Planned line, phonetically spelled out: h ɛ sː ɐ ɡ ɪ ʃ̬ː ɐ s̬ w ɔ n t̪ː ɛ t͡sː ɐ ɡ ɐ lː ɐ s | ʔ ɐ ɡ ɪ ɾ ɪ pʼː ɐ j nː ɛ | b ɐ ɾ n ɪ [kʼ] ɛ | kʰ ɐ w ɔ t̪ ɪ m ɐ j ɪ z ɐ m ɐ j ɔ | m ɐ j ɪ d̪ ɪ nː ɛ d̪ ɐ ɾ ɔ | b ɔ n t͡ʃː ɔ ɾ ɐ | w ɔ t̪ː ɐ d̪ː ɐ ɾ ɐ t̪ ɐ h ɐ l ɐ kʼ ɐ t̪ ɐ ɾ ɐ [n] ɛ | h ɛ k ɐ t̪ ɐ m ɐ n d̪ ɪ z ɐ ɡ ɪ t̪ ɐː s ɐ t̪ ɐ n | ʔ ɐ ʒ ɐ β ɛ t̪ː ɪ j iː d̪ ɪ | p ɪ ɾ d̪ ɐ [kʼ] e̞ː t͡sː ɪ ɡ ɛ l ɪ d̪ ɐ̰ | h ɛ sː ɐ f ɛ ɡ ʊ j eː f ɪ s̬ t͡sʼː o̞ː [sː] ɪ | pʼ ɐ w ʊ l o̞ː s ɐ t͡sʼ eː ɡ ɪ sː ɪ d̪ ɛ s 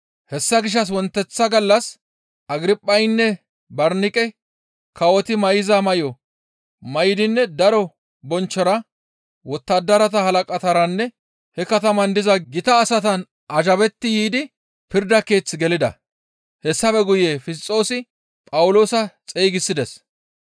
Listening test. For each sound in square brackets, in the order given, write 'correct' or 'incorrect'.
correct, incorrect, incorrect, incorrect

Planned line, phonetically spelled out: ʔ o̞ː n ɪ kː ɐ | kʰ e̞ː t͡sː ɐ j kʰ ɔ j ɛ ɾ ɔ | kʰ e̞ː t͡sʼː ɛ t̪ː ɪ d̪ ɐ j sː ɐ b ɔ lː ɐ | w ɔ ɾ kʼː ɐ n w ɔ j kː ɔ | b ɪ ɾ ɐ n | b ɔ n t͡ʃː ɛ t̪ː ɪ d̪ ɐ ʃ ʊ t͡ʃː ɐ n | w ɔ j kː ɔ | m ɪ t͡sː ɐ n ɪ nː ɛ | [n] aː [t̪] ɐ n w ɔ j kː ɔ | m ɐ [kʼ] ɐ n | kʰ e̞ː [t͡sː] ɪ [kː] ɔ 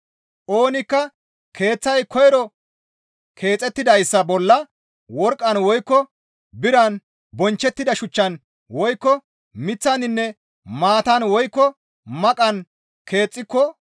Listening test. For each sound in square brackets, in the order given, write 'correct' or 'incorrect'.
incorrect, correct, correct, incorrect, correct

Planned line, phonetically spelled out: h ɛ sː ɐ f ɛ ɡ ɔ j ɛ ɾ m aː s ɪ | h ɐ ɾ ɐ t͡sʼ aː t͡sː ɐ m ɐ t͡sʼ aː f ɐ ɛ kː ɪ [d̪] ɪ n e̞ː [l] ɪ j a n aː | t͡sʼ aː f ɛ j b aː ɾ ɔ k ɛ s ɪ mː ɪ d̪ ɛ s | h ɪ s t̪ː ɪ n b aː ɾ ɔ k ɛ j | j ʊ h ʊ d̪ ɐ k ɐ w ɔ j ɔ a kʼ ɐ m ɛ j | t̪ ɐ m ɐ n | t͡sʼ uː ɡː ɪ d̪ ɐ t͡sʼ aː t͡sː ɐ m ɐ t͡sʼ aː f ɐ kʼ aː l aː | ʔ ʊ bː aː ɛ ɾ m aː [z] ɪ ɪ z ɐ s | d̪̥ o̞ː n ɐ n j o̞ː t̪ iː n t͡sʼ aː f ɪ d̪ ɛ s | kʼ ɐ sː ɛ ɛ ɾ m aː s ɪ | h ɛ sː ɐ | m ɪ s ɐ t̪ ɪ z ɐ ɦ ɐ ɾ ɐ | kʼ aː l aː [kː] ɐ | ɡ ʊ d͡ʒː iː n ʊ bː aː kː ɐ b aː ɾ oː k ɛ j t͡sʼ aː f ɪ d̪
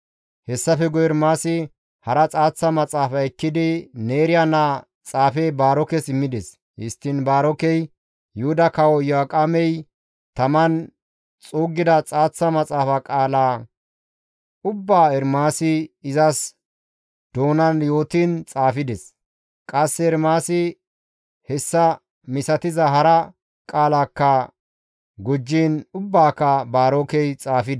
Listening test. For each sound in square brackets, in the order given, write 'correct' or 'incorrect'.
correct, incorrect, incorrect, correct

